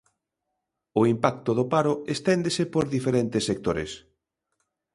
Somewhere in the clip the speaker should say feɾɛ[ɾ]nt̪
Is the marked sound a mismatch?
yes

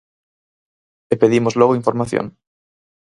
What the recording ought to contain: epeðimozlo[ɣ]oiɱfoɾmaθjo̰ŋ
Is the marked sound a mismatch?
no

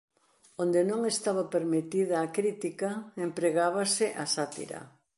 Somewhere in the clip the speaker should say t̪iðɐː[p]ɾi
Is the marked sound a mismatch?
yes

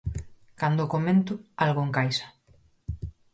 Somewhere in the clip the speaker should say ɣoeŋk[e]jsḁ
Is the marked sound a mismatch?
yes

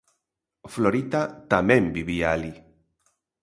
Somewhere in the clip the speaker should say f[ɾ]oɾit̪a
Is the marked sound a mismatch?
yes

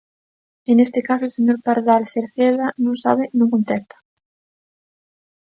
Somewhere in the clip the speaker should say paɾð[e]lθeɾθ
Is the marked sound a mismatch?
yes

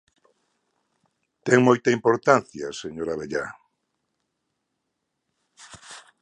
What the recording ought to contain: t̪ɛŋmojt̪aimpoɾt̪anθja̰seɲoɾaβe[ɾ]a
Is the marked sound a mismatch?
yes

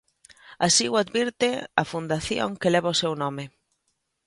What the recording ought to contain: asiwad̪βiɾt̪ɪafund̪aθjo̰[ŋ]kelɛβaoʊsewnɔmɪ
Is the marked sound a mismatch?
no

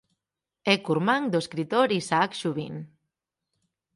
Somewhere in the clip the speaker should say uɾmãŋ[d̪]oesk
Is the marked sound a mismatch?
no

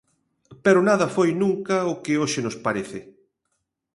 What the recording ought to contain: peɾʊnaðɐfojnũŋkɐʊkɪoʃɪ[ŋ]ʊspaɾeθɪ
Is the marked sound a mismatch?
yes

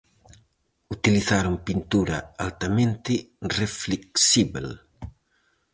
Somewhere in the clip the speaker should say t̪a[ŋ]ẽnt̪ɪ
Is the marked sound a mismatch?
yes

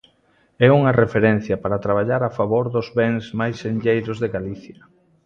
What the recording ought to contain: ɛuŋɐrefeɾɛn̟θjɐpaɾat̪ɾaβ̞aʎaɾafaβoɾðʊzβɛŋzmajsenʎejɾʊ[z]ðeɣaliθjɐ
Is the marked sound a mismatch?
no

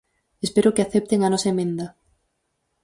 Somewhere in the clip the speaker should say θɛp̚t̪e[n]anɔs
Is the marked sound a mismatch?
yes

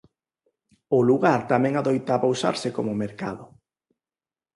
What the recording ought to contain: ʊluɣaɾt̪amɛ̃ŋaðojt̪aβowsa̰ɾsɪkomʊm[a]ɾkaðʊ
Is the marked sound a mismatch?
yes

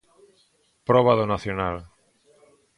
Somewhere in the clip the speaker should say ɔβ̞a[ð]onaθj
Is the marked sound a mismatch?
no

